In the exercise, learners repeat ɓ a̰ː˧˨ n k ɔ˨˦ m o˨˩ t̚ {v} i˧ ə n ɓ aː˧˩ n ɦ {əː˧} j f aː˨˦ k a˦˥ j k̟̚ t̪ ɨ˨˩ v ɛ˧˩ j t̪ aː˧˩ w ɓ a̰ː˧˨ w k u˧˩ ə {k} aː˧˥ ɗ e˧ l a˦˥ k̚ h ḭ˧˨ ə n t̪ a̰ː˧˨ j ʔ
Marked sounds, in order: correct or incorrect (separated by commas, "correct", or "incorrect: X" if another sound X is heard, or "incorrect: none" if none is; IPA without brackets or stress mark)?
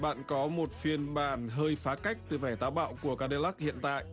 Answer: incorrect: f, correct, correct